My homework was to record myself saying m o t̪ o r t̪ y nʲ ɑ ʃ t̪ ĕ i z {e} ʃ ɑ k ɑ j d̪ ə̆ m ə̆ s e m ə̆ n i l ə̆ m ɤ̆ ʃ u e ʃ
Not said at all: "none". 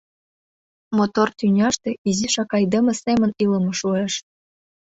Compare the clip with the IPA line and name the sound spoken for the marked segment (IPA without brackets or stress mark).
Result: i